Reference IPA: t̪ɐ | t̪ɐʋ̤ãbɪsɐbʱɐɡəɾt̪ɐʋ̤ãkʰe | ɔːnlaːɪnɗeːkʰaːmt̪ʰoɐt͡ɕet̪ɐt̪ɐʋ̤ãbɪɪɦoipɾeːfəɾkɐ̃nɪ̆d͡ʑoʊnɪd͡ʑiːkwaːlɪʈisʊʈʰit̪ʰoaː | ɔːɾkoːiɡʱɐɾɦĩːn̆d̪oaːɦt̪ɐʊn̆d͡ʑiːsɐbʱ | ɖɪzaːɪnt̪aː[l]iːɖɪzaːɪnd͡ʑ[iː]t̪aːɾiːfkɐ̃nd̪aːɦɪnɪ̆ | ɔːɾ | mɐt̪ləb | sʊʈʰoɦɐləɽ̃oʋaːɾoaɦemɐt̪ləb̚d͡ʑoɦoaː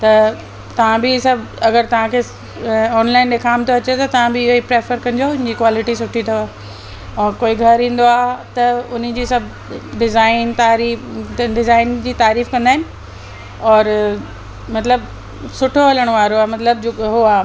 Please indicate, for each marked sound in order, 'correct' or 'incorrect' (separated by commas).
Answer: incorrect, correct